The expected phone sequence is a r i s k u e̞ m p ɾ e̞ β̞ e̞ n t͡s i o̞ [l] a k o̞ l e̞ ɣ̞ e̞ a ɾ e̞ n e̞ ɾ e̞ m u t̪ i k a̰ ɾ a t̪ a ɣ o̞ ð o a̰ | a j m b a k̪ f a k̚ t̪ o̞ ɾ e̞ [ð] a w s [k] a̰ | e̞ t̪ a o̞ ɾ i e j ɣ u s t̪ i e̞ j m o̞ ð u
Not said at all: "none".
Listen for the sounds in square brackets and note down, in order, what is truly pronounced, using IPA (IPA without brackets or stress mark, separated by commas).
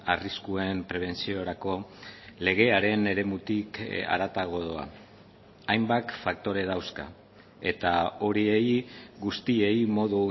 ɾ, ð, k